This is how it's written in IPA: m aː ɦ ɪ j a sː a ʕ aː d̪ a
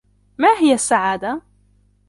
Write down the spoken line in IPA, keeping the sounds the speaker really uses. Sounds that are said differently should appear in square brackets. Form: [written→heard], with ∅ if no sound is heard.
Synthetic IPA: m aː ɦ ɪ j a sː a ʕ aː d̪ a